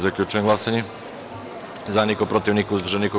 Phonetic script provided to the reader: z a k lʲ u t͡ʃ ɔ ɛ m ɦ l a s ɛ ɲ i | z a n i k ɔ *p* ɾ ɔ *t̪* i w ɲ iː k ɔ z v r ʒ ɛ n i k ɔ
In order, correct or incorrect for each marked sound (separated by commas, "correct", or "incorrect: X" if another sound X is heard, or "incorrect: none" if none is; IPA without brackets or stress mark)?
correct, correct